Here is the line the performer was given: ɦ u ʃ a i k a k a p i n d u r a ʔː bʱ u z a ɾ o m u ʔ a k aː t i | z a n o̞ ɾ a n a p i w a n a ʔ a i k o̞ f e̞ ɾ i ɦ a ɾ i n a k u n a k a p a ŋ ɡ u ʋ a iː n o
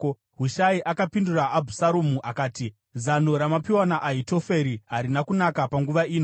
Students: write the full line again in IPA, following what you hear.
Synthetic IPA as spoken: ɦ u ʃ a i ʔ a k a p i n d u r a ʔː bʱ u s a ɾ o m u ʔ a k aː t i | z a n o̞ ɾ a m a p i w a n a ʔ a i t o̞ f e̞ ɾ i ɦ a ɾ i n a k u n a k a p a ŋ ɡ u ʋ a iː n o